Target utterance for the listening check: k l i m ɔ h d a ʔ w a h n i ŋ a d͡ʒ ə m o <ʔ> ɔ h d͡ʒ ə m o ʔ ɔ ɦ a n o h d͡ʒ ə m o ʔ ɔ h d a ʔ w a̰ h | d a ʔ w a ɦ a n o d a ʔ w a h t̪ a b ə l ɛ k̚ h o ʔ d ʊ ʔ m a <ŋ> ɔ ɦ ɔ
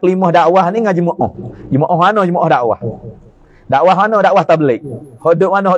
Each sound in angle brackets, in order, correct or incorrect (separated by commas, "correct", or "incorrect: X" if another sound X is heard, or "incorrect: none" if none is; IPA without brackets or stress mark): correct, incorrect: n